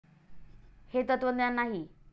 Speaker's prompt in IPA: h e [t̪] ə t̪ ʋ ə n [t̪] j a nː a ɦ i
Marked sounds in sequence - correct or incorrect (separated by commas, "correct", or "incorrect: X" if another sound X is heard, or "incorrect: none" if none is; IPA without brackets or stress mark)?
correct, incorrect: d̪